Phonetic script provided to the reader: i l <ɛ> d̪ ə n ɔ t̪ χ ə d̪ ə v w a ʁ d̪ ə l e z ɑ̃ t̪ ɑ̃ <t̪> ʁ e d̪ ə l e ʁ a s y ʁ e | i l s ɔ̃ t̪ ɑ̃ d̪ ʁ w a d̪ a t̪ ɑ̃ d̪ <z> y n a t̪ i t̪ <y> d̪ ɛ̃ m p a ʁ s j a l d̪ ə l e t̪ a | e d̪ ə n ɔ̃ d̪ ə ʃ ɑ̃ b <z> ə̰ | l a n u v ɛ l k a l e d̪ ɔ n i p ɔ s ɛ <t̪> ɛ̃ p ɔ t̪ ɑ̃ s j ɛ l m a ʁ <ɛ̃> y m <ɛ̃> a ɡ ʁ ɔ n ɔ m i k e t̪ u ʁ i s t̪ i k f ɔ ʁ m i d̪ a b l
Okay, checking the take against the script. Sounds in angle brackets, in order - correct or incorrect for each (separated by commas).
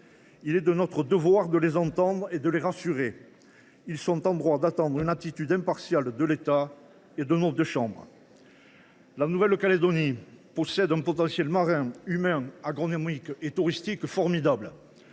correct, incorrect, incorrect, correct, incorrect, incorrect, correct, correct